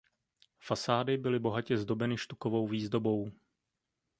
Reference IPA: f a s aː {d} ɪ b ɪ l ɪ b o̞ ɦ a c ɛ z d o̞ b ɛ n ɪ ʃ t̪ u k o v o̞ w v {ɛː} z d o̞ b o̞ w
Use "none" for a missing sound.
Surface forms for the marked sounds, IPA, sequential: d, iː

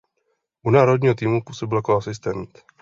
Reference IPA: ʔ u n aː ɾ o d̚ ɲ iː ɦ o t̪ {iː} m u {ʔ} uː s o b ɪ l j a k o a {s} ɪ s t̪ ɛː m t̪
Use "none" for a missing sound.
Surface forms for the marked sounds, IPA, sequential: iː, p, s

